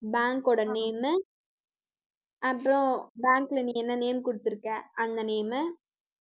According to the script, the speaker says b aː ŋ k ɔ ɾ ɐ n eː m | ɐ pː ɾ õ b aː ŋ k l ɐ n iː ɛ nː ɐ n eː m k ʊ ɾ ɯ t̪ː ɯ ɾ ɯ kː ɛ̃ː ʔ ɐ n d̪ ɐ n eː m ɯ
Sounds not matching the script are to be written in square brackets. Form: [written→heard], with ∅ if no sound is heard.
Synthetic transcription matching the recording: b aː ŋ k ɔ [ɾ→ɽ] ɐ n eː m | ɐ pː ɾ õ b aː ŋ k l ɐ n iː ɛ nː ɐ n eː m k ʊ [ɾ→ɽ] ɯ t̪ː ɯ ɾ ɯ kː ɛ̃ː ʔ ɐ n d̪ ɐ n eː m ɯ